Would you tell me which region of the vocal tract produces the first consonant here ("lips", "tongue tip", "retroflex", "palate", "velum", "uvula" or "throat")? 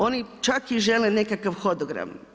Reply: tongue tip